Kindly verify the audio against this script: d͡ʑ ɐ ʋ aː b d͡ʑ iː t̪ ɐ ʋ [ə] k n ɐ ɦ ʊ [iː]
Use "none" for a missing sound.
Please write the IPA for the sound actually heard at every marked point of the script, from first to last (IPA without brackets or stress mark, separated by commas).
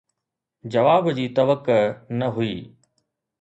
ə, iː